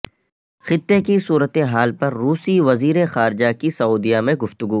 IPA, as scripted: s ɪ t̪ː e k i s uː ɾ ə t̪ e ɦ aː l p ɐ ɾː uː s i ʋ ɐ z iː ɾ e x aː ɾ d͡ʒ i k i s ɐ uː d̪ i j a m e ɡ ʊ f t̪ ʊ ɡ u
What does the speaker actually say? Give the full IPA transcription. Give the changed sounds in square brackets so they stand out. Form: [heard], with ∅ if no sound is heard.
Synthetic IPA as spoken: [x] ɪ t̪ː e k i s uː ɾ ə t̪ e ɦ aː l p ɐ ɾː uː s i ʋ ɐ z iː ɾ e x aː ɾ d͡ʒ [a] k i s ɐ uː d̪ i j a m [ẽ] ɡ ʊ f t̪ ʊ ɡ u